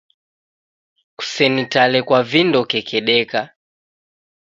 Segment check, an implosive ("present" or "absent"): present